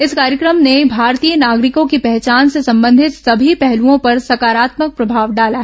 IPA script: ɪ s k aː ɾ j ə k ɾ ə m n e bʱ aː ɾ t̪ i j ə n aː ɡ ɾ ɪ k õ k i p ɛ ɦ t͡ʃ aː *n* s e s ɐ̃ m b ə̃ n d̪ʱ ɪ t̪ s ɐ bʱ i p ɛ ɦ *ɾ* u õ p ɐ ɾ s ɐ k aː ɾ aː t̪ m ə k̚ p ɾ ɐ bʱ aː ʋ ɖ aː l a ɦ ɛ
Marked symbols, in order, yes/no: yes, no

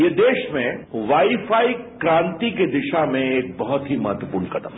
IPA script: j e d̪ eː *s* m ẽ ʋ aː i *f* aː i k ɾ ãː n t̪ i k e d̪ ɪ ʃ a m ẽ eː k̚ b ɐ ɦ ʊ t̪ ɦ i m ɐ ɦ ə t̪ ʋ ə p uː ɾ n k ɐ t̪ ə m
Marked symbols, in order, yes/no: no, yes

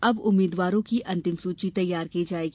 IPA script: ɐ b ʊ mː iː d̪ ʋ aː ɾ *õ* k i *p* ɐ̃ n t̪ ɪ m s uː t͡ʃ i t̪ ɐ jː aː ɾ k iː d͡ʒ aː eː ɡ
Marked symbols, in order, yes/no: yes, no

